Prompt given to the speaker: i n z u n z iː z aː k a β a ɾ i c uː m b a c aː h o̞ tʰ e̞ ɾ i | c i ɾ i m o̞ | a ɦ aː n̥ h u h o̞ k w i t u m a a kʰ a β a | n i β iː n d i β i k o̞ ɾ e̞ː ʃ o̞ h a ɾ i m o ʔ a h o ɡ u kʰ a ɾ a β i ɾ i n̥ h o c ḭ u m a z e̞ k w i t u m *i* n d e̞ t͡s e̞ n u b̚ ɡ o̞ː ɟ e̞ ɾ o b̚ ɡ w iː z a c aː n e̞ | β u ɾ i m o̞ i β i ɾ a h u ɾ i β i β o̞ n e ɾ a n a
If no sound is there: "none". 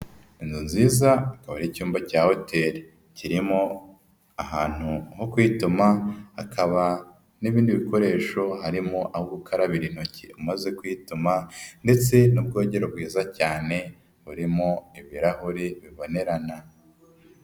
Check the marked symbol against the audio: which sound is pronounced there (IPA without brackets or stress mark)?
a